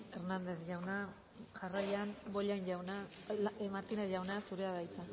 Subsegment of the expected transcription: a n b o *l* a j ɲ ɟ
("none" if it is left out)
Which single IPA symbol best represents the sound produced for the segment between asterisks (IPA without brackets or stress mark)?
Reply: ʎ